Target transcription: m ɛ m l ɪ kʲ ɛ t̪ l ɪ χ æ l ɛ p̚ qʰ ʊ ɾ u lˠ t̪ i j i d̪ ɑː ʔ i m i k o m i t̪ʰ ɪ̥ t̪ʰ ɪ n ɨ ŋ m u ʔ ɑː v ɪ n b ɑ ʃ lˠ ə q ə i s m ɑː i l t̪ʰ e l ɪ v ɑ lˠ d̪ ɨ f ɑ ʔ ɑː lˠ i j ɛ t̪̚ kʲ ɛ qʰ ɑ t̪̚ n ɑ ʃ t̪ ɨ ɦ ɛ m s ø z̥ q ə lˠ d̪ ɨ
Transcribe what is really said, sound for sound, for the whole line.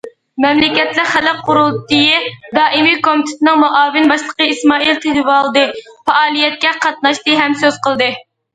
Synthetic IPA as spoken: m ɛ m l ɪ kʲ ɛ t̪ l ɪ χ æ l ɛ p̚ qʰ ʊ ɾ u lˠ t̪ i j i d̪ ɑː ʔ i m i k o m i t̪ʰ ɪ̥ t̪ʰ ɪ n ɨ ŋ m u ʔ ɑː v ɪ n b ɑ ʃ lˠ ə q ə i s m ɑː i l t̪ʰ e l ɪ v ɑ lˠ d̪ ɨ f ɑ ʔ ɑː lˠ i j ɛ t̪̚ kʲ ɛ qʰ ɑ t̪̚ n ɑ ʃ t̪ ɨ ɦ ɛ m s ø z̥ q ə lˠ d̪ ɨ

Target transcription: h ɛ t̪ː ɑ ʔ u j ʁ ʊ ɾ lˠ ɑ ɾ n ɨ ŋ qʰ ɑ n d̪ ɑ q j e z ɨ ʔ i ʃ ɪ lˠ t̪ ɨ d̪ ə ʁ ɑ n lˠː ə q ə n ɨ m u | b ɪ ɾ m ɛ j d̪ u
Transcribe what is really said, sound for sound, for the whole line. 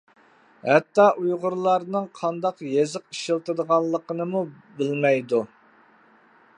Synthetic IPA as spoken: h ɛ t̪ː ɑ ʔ u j ʁ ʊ ɾ lˠ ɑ ɾ n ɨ ŋ qʰ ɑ n d̪ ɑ q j e z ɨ q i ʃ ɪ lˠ t̪ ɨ d̪ ə ʁ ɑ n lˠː ə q ə n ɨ m u | b ɪ l m ɛ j d̪ u

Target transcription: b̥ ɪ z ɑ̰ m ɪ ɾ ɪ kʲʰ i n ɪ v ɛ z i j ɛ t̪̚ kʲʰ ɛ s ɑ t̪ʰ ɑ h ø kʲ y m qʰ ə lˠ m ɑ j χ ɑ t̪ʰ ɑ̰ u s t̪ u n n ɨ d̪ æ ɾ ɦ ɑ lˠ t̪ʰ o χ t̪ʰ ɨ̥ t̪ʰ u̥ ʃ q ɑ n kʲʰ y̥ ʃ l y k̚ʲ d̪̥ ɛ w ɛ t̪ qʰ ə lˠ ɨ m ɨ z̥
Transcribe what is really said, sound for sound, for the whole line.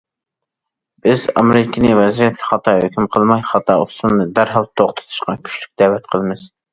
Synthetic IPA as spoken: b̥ ɪ z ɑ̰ m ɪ ɾ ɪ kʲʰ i n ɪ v ɛ z i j ɛ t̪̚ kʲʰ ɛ χ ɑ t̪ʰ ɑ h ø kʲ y m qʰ ə lˠ m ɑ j χ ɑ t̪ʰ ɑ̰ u s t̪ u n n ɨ d̪ æ ɾ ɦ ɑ lˠ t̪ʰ o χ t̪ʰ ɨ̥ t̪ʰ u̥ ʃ q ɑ n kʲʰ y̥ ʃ l y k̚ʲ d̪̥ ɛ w ɛ t̪ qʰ ə lˠ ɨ m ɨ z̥

